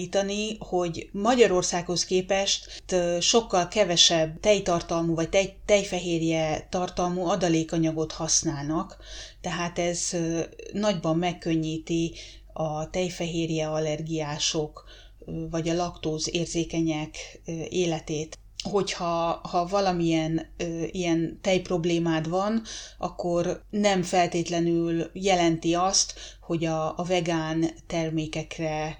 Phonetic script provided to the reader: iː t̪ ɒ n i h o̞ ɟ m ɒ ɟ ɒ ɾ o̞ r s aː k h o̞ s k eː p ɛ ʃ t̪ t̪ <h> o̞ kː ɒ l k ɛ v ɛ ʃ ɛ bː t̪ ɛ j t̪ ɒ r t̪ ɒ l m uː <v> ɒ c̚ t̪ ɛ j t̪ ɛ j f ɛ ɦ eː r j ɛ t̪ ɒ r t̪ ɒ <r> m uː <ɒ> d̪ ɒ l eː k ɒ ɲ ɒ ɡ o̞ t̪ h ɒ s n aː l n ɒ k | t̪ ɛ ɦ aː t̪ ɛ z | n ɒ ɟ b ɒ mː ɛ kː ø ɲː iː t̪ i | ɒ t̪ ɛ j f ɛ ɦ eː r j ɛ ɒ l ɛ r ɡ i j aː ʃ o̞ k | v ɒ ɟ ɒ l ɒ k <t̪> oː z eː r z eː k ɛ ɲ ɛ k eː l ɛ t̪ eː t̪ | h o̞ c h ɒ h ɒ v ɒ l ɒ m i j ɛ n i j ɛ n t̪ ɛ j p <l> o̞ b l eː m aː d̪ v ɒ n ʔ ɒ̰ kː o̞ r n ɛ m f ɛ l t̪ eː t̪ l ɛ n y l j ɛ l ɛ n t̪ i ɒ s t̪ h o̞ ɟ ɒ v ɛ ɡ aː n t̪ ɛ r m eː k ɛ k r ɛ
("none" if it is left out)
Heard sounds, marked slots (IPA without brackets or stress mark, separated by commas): ʃ, v, l, ɒ, t̪, r